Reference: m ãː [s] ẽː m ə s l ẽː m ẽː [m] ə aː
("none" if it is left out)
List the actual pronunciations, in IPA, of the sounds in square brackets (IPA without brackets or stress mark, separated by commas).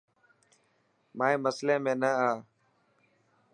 none, n